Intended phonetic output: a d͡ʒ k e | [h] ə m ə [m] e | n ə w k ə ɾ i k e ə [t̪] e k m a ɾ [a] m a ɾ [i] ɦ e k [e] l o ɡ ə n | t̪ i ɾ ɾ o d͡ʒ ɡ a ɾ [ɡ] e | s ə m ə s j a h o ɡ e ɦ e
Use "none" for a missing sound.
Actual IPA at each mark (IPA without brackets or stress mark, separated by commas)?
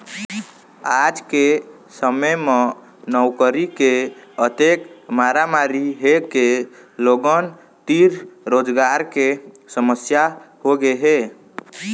s, m, t̪, a, i, e, k